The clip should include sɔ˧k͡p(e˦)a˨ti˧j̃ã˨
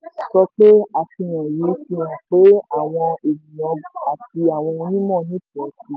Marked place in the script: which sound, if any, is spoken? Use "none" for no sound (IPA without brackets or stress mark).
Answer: e˦